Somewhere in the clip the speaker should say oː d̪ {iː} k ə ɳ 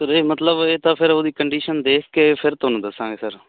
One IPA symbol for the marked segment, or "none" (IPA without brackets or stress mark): iː